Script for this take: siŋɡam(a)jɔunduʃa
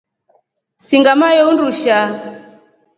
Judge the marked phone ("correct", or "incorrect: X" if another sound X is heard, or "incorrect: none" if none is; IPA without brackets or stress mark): correct